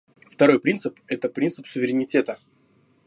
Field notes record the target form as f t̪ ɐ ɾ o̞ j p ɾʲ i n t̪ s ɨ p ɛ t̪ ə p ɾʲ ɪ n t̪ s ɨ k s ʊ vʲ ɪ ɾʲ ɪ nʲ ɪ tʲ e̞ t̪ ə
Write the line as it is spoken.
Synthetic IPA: f t̪ ɐ ɾ o̞ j p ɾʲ i n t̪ s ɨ p ɛ t̪ ə p ɾʲ i n t̪ s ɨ p s ʊ vʲ ɪ ɾʲ ɪ nʲ ɪ tʲ e̞ t̪ ə